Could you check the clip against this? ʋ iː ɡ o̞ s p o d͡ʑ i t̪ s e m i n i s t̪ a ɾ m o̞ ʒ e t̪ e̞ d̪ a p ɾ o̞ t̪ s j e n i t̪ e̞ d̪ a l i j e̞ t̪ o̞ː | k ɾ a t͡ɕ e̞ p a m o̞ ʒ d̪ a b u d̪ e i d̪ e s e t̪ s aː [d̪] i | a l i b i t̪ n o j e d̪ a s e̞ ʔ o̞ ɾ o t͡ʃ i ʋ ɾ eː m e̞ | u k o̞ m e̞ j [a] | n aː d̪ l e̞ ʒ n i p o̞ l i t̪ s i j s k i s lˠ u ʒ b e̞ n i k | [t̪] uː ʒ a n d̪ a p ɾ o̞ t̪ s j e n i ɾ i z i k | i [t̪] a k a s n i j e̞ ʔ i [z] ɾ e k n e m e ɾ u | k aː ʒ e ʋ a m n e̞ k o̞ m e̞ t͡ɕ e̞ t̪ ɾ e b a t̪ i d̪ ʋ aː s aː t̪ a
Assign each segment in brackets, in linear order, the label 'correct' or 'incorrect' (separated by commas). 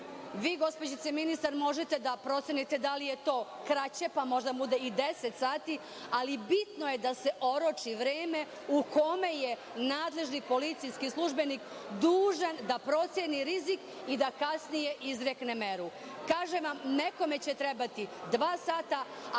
incorrect, incorrect, incorrect, incorrect, correct